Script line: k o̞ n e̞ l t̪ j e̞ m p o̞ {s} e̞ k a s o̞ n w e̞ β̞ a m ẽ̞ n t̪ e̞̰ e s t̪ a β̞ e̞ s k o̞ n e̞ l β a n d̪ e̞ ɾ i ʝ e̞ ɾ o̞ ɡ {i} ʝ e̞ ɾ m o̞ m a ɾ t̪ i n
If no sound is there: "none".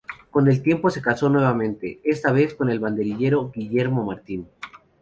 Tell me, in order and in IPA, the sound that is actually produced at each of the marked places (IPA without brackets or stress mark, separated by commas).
s, i